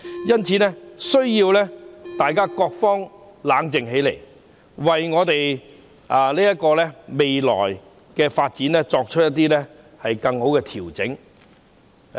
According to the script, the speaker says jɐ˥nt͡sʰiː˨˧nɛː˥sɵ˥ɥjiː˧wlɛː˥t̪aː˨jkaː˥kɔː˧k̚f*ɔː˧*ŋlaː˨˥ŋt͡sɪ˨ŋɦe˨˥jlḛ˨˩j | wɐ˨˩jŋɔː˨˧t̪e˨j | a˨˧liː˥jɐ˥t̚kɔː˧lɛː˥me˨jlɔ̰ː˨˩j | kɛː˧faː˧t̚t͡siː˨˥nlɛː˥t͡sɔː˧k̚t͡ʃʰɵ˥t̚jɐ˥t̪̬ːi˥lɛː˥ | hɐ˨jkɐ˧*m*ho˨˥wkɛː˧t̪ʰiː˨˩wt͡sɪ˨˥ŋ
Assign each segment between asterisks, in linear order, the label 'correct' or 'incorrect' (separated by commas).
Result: incorrect, incorrect